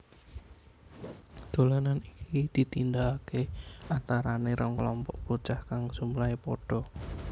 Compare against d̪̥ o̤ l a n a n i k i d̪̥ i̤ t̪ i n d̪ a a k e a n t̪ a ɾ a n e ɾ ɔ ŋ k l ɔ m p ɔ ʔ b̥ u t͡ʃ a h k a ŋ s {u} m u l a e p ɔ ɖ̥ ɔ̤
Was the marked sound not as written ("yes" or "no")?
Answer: no